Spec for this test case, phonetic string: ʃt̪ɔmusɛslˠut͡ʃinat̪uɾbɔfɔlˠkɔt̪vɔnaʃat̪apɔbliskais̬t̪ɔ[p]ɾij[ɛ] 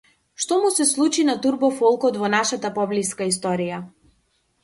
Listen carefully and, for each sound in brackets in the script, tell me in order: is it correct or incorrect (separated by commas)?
incorrect, incorrect